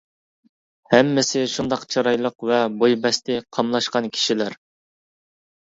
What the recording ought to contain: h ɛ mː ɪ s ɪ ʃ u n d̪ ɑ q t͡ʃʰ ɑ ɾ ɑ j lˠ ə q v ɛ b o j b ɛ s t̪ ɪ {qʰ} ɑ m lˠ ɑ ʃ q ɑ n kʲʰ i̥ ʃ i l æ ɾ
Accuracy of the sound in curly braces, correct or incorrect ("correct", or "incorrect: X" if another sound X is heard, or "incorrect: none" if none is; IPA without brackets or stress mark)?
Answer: correct